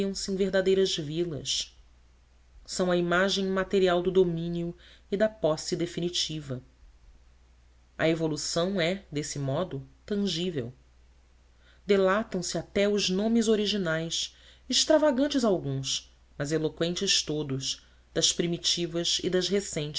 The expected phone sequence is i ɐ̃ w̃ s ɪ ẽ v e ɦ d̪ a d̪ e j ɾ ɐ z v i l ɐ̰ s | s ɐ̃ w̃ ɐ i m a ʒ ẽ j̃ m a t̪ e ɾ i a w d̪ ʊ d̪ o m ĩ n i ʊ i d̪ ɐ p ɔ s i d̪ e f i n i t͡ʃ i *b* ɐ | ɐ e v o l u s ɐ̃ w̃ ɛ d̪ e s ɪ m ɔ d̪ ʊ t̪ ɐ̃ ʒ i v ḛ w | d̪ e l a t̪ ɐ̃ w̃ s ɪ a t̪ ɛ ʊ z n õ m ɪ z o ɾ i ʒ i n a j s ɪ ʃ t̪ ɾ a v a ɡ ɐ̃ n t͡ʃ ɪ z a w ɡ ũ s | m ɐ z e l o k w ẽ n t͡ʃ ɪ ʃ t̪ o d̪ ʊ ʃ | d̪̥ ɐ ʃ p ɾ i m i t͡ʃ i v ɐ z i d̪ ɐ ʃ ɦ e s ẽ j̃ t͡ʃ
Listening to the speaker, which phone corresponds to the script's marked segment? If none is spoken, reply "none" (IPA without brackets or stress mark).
v